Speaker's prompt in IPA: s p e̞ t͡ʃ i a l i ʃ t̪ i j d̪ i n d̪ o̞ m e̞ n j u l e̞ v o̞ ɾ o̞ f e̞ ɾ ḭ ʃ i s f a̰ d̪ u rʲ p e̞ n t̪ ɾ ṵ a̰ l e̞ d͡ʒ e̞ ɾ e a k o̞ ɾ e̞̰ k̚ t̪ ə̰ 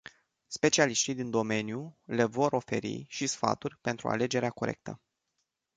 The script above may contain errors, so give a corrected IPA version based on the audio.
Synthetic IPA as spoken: s p e̞ t͡ʃ i a l i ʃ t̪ i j d̪ i n d̪ o̞ m e̞ n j u l e̞ v o̞ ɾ o̞ f e̞ ɾ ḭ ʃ i s f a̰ t̪ u rʲ p e̞ n t̪ ɾ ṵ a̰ l e̞ d͡ʒ e̞ ɾ e a k o̞ ɾ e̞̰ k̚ t̪ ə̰